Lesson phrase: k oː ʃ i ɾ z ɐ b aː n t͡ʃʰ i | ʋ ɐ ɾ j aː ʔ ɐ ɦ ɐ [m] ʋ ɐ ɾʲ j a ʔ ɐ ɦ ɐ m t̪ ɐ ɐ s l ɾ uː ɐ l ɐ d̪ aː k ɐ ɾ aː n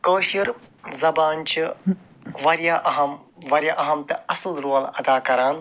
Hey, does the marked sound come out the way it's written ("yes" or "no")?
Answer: yes